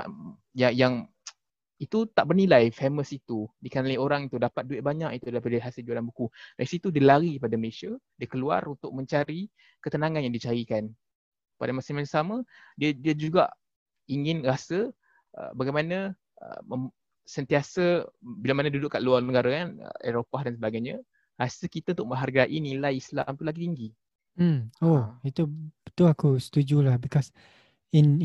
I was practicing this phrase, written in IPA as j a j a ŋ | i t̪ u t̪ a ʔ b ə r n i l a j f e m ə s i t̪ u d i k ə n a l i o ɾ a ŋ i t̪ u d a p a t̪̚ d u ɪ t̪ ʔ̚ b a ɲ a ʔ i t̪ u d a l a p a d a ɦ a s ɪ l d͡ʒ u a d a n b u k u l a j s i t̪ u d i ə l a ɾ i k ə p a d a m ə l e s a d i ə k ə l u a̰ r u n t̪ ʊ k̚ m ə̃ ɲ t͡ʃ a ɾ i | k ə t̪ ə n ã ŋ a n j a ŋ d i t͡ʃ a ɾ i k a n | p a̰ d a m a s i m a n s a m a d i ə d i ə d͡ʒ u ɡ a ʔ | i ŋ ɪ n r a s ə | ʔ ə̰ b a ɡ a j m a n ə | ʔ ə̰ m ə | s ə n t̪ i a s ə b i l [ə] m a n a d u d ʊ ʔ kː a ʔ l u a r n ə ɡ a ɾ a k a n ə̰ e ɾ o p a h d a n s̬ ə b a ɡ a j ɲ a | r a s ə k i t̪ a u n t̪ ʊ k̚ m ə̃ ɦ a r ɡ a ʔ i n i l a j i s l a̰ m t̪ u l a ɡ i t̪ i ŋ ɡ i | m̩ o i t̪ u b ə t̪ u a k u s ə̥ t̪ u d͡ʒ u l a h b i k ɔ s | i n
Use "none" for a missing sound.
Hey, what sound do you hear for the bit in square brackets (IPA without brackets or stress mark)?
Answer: a